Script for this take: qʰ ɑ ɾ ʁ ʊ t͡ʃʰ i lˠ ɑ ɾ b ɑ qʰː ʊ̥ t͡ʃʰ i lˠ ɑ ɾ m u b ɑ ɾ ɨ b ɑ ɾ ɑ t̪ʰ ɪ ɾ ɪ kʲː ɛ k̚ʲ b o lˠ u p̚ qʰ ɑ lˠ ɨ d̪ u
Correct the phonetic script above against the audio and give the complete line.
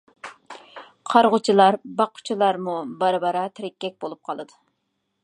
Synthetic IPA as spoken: qʰ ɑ ɾ ʁ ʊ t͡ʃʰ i lˠ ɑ ɾ b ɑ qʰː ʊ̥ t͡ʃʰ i lˠ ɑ ɾ m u b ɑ ɾ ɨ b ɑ ɾ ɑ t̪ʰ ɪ ɾ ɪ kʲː ɛ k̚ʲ b o lˠ u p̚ qʰ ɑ lˠ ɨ d̪ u